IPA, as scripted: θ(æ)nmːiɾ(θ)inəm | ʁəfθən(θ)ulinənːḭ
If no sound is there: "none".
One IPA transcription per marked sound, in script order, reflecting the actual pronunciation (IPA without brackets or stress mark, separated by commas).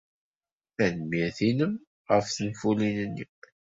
æ, θ, f